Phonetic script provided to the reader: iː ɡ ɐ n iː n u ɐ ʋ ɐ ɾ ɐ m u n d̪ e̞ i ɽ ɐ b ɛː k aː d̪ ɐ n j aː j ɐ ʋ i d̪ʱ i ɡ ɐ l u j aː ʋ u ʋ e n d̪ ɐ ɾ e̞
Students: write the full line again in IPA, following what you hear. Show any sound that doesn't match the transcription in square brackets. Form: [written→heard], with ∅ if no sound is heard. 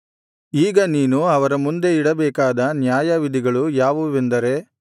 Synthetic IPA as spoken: iː ɡ ɐ n iː n u ɐ ʋ ɐ ɾ ɐ m u n d̪ e̞ i ɽ ɐ b ɛː k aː d̪ ɐ n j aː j ɐ ʋ i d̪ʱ i ɡ ɐ [l→ɭ] u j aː ʋ u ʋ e n d̪ ɐ ɾ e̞